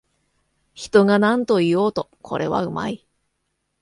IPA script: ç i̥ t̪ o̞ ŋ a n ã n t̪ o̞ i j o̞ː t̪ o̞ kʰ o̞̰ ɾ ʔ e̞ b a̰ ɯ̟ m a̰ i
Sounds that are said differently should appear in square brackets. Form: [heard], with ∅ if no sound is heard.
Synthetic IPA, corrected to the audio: ç i̥ t̪ o̞ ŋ a n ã n t̪ o̞ i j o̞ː t̪ o̞ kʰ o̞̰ ɾ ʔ e̞ [β] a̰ ɯ̟ m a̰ i